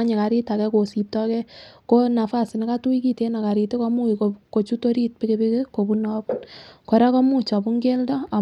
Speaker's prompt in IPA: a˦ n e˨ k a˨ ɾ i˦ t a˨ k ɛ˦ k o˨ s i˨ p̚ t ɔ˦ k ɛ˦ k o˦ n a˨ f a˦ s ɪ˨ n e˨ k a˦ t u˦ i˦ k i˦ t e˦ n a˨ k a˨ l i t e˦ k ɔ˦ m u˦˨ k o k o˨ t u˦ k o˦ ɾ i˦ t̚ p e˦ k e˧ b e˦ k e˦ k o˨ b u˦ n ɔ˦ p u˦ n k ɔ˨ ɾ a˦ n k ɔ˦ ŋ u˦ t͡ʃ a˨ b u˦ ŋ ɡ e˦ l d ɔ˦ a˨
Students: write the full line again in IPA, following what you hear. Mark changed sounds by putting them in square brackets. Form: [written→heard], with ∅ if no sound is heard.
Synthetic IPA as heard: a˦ [n→ɲ] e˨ k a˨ ɾ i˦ t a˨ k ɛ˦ k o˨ s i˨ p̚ t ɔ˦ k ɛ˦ k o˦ n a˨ f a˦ s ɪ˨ n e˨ k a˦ t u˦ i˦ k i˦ t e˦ n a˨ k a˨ [l→ɾ] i t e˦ k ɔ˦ m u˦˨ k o k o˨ [t→t͡ʃ] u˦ [k→t] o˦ ɾ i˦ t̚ p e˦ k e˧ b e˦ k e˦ k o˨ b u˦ n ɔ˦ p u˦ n k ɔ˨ ɾ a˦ [n→∅] k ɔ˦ [ŋ→m] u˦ t͡ʃ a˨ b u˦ ŋ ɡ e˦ l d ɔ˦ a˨

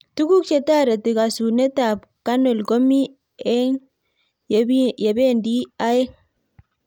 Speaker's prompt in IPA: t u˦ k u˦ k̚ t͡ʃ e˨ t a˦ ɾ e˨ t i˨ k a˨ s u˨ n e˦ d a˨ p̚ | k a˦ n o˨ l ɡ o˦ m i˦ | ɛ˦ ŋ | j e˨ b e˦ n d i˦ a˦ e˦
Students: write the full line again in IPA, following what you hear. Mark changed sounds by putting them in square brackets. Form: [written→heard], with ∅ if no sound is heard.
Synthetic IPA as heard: t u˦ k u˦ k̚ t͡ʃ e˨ t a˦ ɾ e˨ t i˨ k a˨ s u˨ n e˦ [d→t] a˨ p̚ | k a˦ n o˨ l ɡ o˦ m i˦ | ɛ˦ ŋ | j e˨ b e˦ n d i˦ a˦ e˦

